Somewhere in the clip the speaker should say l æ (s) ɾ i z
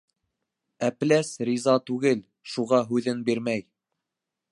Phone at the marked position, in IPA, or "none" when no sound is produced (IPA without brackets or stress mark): s